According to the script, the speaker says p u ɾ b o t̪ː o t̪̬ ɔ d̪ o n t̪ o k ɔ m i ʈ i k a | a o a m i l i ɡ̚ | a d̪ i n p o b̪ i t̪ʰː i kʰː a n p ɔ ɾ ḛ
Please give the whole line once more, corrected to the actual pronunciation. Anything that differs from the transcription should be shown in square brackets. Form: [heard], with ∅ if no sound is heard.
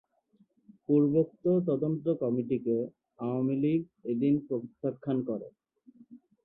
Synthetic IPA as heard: p u ɾ b o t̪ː o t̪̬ ɔ d̪ o n t̪ o k ɔ m i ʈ i k [e] | a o a m i l i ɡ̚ | [e] d̪ i n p o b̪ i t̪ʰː [a] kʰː a n [k] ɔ ɾ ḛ